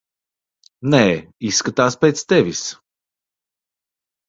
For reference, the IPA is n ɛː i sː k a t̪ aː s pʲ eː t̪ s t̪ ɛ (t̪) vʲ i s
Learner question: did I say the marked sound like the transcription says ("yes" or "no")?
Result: no